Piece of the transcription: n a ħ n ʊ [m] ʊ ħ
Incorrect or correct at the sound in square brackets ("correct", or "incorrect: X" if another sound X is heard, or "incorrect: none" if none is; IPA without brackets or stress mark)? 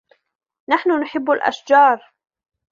incorrect: n